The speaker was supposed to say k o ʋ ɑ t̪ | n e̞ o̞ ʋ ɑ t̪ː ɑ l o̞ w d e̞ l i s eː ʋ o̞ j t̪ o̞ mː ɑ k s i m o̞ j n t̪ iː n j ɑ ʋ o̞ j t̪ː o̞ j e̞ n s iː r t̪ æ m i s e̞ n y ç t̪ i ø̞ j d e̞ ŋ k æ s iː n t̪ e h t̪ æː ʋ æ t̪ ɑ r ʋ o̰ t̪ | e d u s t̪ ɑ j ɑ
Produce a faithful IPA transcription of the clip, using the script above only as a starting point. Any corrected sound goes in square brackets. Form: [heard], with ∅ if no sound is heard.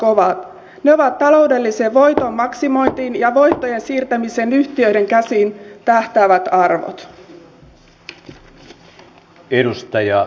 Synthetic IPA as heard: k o ʋ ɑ t̪ | n e̞ o̞ ʋ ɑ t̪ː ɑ l o̞ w d e̞ [lː] i s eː ʋ o̞ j t̪ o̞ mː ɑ k s i m o̞ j n t̪ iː n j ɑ ʋ o̞ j t̪ː o̞ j e̞ n s iː r t̪ æ m i s e̞ n y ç t̪ i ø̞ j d e̞ ŋ k æ s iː n t̪ [æ] h t̪ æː ʋ æ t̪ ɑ r ʋ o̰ t̪ | e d u s t̪ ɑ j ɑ